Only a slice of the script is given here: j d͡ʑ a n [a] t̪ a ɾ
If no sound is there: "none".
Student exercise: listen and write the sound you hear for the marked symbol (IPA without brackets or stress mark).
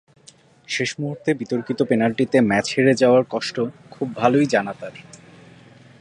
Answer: a